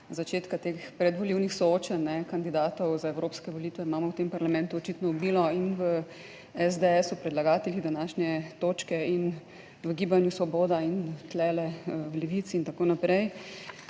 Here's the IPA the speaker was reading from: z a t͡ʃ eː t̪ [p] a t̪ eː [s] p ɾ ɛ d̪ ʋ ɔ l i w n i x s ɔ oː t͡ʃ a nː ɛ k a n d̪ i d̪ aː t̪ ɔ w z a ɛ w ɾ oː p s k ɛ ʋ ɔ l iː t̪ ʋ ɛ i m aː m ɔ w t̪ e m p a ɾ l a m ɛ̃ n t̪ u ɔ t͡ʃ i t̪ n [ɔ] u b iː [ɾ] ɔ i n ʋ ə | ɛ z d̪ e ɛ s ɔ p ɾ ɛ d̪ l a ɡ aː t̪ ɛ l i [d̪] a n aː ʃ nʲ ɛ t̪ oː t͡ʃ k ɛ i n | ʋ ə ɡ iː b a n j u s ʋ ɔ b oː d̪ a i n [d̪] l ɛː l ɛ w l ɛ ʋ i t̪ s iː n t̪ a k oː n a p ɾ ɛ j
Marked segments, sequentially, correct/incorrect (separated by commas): incorrect, incorrect, correct, incorrect, correct, incorrect